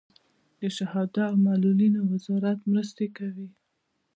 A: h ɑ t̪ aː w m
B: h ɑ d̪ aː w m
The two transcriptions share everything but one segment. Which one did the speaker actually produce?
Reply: B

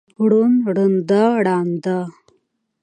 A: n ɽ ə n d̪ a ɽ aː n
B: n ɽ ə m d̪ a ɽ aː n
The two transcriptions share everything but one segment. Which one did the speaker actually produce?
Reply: A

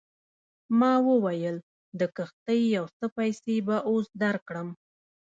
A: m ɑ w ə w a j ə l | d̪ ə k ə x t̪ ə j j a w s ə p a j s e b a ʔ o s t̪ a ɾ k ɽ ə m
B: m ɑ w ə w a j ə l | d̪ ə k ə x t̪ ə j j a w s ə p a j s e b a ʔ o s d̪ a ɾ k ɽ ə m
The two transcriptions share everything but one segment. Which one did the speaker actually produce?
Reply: B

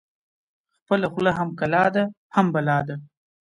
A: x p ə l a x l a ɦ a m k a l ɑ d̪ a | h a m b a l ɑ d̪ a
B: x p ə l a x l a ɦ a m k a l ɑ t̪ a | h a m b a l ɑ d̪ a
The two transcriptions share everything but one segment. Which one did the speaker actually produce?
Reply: A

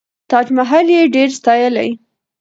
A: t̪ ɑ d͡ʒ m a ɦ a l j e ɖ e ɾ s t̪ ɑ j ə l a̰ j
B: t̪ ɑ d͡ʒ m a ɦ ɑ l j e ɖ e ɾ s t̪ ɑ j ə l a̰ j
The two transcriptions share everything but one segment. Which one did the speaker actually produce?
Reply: A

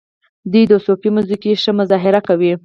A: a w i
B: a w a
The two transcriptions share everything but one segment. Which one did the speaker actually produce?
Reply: A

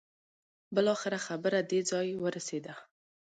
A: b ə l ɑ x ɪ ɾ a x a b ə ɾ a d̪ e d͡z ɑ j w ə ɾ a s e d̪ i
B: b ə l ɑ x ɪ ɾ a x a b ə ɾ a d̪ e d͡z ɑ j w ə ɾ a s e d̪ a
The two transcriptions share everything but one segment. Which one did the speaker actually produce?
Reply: B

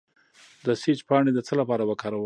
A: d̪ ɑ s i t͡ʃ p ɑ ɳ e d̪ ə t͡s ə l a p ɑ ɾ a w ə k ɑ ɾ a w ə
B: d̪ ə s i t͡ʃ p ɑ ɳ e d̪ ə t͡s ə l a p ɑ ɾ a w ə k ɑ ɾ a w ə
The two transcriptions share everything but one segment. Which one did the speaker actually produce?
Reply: B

